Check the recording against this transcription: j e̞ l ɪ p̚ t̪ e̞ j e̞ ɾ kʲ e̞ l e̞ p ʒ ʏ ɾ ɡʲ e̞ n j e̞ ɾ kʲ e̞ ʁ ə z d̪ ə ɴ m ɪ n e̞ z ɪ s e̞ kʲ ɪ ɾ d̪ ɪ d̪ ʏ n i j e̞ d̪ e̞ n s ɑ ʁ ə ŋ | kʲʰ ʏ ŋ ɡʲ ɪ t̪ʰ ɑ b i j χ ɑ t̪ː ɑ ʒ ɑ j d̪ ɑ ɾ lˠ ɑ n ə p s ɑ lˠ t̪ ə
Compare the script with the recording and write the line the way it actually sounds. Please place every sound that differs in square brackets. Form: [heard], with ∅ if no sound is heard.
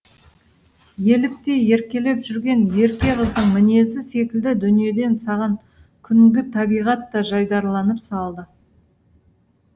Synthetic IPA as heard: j e̞ l ɪ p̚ t̪ e̞ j e̞ ɾ kʲ e̞ l e̞ p ʒ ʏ ɾ ɡʲ e̞ n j e̞ ɾ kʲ e̞ ʁ ə z d̪ ə ɴ m ɪ n e̞ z ɪ s e̞ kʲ ɪ [l] d̪ ɪ d̪ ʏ n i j e̞ d̪ e̞ n s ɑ ʁ [ɑ] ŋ | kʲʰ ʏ ŋ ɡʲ ɪ t̪ʰ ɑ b i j [ʁ] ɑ t̪ː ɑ ʒ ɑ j d̪ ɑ ɾ lˠ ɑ n ə p s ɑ lˠ [d̪] ə

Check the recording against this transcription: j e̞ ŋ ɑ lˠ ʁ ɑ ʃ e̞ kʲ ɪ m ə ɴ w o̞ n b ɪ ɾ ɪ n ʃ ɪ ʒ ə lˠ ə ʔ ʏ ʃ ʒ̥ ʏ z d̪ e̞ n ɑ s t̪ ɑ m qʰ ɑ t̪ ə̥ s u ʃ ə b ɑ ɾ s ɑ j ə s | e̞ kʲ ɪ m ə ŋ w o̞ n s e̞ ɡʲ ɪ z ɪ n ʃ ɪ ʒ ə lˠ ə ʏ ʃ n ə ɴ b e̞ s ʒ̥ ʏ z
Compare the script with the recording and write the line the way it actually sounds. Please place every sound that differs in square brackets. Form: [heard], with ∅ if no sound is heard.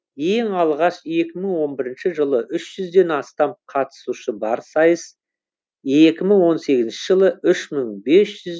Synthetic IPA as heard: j e̞ ŋ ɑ lˠ ʁ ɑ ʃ e̞ kʲ ɪ m ə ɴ w o̞ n b ɪ ɾ ɪ n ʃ ɪ ʒ ə lˠ ə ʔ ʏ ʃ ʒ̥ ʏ z d̪ e̞ n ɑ s t̪ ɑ m qʰ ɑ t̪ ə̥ s u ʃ ə b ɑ ɾ s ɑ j ə s | e̞ kʲ ɪ m ə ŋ w o̞ n s e̞ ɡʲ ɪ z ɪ n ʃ ɪ ʒ ə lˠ ə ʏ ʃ [m] ə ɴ b e̞ s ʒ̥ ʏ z

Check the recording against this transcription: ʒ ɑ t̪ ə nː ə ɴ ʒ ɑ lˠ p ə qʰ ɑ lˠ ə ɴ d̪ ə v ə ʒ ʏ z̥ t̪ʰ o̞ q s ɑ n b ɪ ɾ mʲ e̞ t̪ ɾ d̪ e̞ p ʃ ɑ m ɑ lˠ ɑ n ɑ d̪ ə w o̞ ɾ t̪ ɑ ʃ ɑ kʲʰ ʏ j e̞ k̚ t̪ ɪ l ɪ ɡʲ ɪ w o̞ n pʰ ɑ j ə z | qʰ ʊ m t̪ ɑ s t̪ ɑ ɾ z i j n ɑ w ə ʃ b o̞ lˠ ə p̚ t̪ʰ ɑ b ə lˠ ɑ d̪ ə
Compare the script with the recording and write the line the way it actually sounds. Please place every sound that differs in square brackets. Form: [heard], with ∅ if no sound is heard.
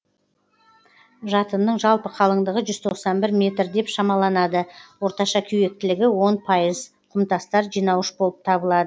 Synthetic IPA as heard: ʒ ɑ t̪ ə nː ə ɴ ʒ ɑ lˠ p ə qʰ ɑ lˠ ə ɴ d̪ ə [ʁ] ə ʒ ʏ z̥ t̪ʰ o̞ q s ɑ n b ɪ ɾ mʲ e̞ t̪ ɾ d̪ e̞ p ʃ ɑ m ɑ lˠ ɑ n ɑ d̪ ə w o̞ ɾ t̪ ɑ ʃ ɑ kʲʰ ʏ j e̞ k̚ t̪ ɪ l ɪ ɡʲ ɪ w o̞ n pʰ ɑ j ə z | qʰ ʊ m t̪ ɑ s t̪ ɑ ɾ [ʒ] i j n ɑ w ə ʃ b o̞ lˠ ə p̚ t̪ʰ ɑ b ə lˠ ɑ d̪ ə

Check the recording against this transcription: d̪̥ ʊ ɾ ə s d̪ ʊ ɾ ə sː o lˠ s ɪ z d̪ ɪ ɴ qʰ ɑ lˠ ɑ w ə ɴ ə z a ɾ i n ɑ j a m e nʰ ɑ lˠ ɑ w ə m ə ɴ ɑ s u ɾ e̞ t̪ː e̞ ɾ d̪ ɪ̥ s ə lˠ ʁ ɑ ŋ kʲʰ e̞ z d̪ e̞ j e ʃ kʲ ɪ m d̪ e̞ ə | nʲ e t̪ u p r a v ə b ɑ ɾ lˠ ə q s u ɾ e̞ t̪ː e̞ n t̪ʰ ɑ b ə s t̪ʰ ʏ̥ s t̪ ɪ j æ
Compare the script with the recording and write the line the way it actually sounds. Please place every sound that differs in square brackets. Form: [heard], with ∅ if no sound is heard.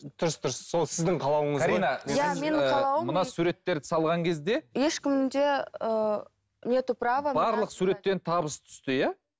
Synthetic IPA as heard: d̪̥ ʊ ɾ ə s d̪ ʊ ɾ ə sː o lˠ s ɪ z d̪ ɪ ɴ qʰ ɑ lˠ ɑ w ə ɴ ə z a ɾ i n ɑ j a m e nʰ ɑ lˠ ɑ w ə m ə [n] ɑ s u ɾ e̞ t̪ː e̞ ɾ d̪ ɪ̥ s [ɑ] lˠ ʁ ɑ ŋ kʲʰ e̞ z d̪ e̞ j e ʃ kʲ ɪ m d̪ e̞ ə | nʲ e t̪ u p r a v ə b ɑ ɾ lˠ ə q s u ɾ e̞ t̪ː e̞ n t̪ʰ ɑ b ə s t̪ʰ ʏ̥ s t̪ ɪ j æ

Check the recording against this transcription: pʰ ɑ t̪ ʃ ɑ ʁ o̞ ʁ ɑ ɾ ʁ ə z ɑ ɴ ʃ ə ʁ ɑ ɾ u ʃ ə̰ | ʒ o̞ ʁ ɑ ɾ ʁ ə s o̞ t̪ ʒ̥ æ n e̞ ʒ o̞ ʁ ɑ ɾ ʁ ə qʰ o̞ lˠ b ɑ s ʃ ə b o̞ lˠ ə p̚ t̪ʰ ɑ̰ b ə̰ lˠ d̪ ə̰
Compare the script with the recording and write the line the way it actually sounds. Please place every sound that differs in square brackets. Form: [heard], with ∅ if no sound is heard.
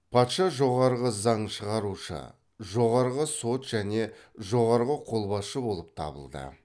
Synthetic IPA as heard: pʰ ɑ t̪ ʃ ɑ [ʒ] o̞ ʁ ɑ ɾ ʁ ə z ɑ ɴ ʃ ə ʁ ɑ ɾ u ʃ ə̰ | ʒ o̞ ʁ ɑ ɾ ʁ ə s o̞ t̪ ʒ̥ æ n e̞ ʒ o̞ ʁ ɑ ɾ ʁ ə qʰ o̞ lˠ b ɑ s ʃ ə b o̞ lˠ ə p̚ t̪ʰ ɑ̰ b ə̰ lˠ d̪ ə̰

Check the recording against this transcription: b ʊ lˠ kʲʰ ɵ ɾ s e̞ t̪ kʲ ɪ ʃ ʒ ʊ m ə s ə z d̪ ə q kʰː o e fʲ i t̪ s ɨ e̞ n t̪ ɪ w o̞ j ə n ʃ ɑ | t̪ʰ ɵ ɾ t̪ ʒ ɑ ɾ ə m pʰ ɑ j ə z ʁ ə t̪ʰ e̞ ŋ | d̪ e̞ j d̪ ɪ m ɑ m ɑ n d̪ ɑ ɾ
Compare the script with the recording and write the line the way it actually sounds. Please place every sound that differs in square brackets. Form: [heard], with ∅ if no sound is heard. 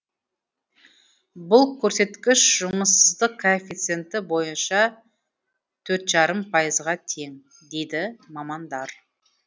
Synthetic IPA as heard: b ʊ lˠ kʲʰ ɵ ɾ s e̞ t̪ kʲ ɪ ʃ ʒ ʊ m ə s ə z d̪ ə q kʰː o e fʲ i t̪ s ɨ e̞ n t̪ ɪ [b] o̞ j ə n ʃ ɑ | t̪ʰ ɵ ɾ t̪ ʒ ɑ ɾ ə m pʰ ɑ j ə z ʁ [ɑ] t̪ʰ e̞ ŋ | d̪ e̞ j d̪ ɪ m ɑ m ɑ n d̪ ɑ ɾ

